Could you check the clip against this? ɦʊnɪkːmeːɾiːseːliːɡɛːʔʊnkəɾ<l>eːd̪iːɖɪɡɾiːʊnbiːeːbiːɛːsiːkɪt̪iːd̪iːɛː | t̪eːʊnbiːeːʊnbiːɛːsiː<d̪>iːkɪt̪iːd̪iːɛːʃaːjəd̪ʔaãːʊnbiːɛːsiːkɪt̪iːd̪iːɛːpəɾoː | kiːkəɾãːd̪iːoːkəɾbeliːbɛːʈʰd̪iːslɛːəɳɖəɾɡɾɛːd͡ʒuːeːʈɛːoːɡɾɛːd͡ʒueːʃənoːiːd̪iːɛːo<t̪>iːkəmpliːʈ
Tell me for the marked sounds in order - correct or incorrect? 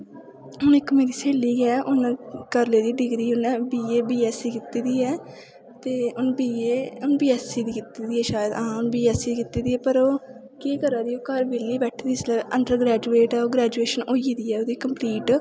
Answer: correct, correct, incorrect

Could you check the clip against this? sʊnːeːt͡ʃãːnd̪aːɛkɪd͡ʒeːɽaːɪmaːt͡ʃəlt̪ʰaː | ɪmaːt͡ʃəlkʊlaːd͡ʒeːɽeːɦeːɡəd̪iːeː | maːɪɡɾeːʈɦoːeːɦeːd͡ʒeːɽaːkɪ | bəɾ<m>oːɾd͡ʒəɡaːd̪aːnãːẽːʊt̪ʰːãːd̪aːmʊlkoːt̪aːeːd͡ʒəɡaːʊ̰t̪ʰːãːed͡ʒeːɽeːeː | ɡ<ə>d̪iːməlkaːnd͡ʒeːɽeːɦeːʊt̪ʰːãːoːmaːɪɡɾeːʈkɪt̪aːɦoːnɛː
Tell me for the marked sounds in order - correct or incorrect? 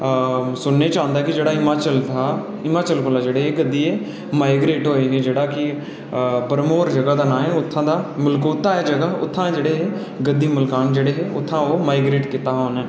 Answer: correct, correct

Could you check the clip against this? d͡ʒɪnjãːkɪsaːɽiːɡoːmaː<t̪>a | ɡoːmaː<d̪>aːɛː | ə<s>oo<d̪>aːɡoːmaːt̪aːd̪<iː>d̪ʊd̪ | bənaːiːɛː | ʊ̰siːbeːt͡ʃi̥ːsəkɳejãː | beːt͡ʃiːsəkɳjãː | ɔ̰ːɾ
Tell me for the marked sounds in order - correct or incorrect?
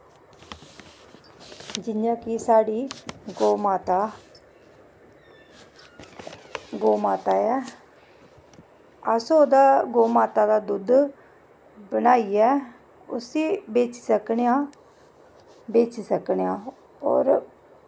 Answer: correct, incorrect, correct, correct, incorrect

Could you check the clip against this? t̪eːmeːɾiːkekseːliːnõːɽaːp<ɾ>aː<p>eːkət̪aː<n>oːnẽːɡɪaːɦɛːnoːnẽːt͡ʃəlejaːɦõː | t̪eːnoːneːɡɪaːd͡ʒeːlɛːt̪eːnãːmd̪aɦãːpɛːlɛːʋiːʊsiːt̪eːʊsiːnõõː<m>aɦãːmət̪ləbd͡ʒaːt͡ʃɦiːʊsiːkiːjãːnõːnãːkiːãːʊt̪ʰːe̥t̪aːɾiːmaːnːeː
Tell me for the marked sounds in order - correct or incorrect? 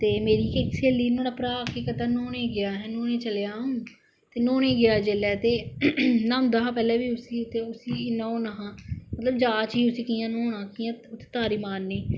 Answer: correct, incorrect, correct, incorrect

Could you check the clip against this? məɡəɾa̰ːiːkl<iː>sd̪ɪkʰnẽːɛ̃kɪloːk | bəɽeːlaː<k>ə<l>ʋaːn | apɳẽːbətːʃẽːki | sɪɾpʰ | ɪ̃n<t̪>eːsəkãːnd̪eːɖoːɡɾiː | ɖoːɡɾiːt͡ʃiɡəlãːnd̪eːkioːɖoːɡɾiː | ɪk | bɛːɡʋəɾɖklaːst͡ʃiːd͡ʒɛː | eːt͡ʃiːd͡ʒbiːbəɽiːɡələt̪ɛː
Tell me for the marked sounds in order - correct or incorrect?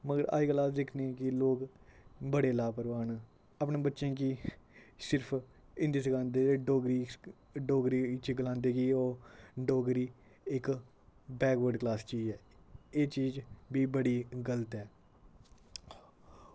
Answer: incorrect, incorrect, incorrect, incorrect

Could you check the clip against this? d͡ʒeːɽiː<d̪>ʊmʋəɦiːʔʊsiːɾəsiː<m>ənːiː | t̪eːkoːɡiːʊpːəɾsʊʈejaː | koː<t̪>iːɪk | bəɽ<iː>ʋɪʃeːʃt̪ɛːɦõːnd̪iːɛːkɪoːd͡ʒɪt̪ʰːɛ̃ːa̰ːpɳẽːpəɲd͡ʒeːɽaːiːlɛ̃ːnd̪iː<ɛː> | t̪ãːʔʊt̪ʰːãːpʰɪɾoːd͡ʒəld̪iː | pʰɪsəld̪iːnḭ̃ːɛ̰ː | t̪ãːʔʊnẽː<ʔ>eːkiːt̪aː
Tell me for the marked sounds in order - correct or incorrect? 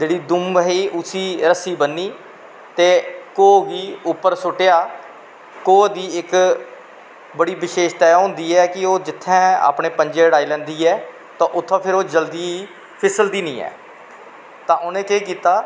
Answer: correct, incorrect, incorrect, correct, correct, incorrect

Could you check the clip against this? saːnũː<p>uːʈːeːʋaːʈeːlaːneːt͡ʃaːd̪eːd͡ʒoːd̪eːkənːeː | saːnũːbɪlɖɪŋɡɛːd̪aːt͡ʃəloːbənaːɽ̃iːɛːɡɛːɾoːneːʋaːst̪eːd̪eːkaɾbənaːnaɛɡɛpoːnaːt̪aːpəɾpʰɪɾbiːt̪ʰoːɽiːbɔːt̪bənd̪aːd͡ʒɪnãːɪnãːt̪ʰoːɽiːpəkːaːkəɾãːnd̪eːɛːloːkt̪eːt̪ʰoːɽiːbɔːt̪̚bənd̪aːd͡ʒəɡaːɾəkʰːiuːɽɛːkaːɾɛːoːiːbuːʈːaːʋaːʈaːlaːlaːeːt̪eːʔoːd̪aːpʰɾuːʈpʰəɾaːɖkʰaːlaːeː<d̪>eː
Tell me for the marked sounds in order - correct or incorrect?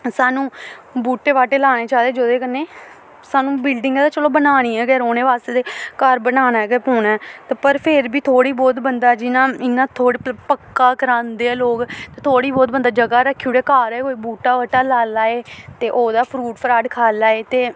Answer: incorrect, incorrect

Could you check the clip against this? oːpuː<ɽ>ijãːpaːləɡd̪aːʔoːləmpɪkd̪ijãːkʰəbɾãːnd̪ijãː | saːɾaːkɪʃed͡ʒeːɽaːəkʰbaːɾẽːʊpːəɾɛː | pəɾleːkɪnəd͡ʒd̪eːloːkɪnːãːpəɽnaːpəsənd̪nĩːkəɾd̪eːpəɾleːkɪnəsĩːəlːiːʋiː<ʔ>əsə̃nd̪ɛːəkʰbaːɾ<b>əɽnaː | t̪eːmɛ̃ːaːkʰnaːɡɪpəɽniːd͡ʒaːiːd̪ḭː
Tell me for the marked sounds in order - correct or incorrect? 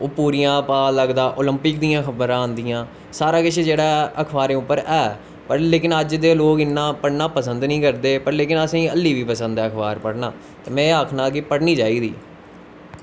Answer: incorrect, incorrect, incorrect

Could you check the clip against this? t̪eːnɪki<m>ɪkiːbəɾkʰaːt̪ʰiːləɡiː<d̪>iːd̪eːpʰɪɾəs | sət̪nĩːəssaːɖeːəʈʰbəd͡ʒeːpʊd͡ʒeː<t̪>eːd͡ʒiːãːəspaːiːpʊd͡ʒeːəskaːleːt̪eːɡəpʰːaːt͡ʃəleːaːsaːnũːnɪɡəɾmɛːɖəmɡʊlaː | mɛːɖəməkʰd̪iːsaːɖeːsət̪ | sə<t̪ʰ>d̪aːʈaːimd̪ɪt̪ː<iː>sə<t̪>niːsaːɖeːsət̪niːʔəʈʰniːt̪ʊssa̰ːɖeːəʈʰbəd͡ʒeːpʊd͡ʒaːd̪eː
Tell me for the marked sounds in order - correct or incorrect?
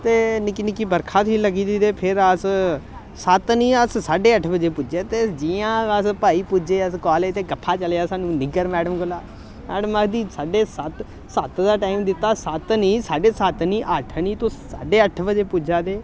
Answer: incorrect, correct, correct, incorrect, incorrect, correct

